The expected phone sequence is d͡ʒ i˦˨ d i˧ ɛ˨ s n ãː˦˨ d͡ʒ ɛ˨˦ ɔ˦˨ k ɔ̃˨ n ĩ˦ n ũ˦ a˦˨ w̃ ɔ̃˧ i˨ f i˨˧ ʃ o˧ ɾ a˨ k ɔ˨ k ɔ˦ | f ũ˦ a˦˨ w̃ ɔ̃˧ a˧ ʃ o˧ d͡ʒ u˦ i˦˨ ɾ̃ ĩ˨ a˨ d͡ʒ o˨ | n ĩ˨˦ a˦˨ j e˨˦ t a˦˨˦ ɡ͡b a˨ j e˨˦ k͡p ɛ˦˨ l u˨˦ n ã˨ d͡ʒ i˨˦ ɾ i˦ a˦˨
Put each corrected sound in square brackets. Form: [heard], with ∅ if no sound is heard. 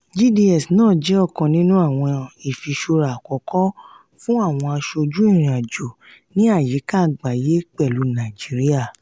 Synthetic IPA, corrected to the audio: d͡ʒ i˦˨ d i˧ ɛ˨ s n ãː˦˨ d͡ʒ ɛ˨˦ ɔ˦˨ k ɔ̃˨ n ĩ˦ n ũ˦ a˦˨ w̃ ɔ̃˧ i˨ f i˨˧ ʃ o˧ ɾ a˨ k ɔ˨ k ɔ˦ | f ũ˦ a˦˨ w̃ ɔ̃˧ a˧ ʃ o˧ d͡ʒ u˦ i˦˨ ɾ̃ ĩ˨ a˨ d͡ʒ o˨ | n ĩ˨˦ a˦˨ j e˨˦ [k] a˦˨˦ ɡ͡b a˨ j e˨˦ k͡p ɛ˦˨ l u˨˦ n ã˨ d͡ʒ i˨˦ ɾ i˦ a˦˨